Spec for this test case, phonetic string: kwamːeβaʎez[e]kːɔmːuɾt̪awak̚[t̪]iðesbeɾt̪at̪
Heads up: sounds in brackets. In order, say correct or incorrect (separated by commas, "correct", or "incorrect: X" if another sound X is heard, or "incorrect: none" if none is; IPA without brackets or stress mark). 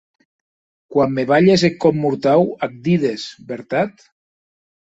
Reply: correct, incorrect: d̪